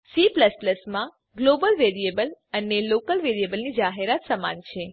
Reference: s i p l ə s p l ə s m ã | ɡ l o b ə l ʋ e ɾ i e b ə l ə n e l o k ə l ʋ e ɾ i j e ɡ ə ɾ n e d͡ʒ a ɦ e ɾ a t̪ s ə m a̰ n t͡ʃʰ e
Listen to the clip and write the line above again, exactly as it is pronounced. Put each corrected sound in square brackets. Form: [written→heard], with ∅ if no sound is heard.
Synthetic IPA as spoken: s i p l ə s p l ə s m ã | ɡ l o b ə l ʋ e ɾ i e b ə l ə n e l o k ə l ʋ e ɾ i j e [ɡ→b] ə [ɾ→l] n [e→i] d͡ʒ a ɦ e ɾ a t̪ s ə m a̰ n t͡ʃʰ e

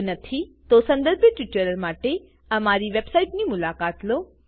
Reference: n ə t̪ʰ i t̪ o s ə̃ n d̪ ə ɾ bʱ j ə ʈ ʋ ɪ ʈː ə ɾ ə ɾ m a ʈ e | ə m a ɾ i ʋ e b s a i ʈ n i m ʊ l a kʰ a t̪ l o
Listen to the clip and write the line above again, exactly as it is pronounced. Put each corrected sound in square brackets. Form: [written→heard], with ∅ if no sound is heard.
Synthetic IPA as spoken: n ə t̪ʰ i t̪ o s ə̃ n d̪ ə ɾ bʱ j ə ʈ ʋ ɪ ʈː ə ɾ ə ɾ m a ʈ e | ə m a ɾ i ʋ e b s a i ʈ n i m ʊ l a [kʰ→k] a t̪ l o

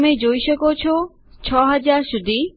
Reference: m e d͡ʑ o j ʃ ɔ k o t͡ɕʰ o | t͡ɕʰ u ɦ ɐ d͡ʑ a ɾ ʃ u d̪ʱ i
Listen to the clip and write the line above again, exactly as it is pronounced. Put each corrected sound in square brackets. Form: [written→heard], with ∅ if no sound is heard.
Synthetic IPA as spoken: m e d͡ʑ o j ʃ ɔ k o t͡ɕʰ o | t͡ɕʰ [u→ɔ] ɦ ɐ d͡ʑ a ɾ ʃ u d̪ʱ i

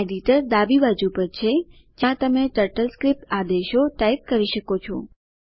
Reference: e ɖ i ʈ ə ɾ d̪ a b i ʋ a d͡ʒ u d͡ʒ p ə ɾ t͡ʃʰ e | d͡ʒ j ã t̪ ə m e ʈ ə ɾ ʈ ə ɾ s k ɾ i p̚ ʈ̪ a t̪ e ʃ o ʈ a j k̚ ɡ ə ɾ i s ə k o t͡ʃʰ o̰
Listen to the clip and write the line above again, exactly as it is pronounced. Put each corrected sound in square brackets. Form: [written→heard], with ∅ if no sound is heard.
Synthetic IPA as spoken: e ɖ i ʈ ə ɾ d̪ a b i ʋ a d͡ʒ u [d͡ʒ→∅] p ə ɾ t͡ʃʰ e | d͡ʒ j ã t̪ ə m e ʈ ə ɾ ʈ ə [ɾ→l] s k ɾ i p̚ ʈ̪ a [t̪→d̪] e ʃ o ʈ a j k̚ [ɡ→k] ə ɾ i [s→ʃ] ə k o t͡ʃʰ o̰

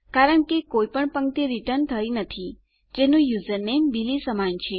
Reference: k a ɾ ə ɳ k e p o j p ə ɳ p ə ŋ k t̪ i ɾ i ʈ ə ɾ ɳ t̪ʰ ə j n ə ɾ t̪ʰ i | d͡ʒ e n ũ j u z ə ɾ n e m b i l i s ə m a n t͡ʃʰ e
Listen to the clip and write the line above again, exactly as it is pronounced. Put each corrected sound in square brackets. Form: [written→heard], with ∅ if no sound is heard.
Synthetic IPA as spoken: k a ɾ ə ɳ k e [p→k] o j p ə ɳ p ə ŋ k t̪ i ɾ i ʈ ə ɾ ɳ t̪ʰ ə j n ə [ɾ→∅] t̪ʰ i | d͡ʒ e n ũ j u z ə ɾ n e m b i l i s ə m a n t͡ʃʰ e

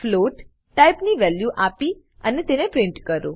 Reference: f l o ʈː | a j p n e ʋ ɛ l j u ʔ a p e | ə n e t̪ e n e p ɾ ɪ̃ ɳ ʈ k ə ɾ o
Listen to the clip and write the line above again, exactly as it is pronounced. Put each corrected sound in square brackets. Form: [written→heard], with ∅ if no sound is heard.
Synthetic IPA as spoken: f l o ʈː | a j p n [e→i] ʋ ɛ l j u ʔ a p [e→i] | ə n e t̪ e n e p ɾ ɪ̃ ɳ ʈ k ə ɾ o

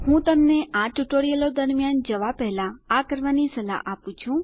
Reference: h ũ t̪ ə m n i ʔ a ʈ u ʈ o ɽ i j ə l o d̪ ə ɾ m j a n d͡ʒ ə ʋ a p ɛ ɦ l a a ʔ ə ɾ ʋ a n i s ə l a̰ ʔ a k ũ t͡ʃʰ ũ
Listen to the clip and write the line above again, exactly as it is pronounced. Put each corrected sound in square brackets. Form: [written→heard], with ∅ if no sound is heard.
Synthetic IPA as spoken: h ũ t̪ ə m n [i→e] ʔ a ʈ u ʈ o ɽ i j ə l o d̪ ə ɾ m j a n d͡ʒ ə ʋ a p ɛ ɦ l a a [ʔ→k] ə ɾ ʋ a n i s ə l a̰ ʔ a [k→p] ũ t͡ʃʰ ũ

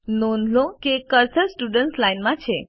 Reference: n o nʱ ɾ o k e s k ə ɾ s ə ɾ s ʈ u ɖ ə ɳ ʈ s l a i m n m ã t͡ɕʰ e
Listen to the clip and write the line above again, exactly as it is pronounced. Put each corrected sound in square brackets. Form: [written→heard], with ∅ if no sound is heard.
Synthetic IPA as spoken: n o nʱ [ɾ→l] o k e [s→∅] k ə ɾ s ə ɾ s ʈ u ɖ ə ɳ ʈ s l a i [m→∅] n m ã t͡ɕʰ e

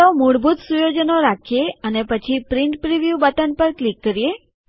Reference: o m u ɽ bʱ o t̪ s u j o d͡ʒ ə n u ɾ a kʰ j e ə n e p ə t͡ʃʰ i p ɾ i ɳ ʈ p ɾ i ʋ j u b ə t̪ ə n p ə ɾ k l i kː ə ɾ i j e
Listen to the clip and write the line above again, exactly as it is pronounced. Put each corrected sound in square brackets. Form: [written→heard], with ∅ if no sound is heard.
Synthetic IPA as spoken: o m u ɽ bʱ [o→u] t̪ s u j o d͡ʒ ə n [u→o] ɾ a kʰ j e ə n e p ə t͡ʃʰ i p ɾ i ɳ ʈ p ɾ i ʋ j u b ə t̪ ə n p ə ɾ k l i kː ə ɾ i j e

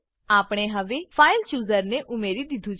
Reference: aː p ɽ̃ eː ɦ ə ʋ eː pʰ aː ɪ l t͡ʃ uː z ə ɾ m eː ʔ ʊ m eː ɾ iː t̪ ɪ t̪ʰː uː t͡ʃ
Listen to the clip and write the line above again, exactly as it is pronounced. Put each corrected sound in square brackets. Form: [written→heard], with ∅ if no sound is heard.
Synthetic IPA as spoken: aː p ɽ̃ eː ɦ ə ʋ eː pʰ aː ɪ l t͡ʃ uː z ə ɾ [m→n] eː ʔ ʊ m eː ɾ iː [t̪→d̪] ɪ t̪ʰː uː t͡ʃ

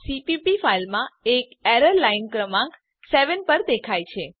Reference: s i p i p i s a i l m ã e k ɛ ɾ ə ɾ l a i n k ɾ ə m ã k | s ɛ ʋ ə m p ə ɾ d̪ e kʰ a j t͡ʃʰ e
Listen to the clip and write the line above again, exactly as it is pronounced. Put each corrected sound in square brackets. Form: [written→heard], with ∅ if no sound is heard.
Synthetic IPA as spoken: s i p i p i [s→f] a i l m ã e k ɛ ɾ ə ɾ l a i n k ɾ ə m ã k | s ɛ ʋ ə [m→n] p ə ɾ d̪ e kʰ a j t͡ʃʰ e

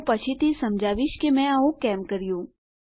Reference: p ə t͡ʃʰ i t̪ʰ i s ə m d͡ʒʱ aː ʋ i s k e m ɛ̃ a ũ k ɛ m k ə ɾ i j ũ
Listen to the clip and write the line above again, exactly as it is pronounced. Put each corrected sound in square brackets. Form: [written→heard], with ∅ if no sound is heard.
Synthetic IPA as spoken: p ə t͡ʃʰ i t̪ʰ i s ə m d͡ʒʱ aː ʋ i [s→ʃ] k e m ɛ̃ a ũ k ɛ m k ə ɾ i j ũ

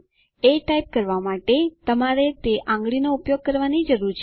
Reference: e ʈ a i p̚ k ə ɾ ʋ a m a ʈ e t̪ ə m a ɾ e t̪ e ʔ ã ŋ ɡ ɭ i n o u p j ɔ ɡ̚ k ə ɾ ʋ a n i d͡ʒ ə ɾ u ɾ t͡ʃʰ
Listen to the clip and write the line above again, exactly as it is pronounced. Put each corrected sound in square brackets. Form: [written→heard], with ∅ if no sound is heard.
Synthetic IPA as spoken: e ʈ a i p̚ k ə ɾ ʋ a m a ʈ e t̪ ə m a ɾ e t̪ e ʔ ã ŋ ɡ ɭ i n o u p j [ɔ→o] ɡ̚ k ə ɾ ʋ a n i d͡ʒ ə ɾ u ɾ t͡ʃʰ

